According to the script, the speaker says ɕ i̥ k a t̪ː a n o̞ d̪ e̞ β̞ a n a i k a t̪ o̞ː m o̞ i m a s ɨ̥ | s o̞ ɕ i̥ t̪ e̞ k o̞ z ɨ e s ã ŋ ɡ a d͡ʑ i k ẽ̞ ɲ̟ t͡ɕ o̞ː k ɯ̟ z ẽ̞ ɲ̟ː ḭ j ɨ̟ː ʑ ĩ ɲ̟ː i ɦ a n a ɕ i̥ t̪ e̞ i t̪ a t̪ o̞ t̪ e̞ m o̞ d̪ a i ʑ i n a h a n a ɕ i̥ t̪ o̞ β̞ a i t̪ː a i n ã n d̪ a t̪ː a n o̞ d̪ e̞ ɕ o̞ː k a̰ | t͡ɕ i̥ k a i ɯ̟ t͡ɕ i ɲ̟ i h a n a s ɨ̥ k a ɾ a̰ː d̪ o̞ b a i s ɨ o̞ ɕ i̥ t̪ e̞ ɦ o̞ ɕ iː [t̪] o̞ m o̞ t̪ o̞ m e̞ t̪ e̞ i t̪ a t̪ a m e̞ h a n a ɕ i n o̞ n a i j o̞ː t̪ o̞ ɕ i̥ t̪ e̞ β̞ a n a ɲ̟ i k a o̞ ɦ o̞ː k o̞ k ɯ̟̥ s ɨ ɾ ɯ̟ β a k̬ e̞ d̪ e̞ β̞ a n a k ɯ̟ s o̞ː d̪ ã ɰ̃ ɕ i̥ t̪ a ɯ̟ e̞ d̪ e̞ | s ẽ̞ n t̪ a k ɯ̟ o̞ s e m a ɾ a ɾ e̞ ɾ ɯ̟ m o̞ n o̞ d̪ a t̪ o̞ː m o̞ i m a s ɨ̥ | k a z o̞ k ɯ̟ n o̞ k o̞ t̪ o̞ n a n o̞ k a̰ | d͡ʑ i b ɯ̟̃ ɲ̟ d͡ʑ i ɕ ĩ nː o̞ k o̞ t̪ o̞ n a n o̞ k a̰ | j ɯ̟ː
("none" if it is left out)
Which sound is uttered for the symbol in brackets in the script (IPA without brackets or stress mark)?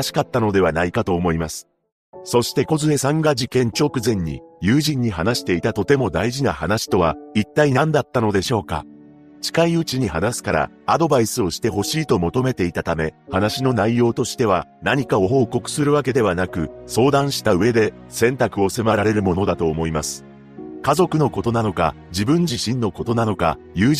t̪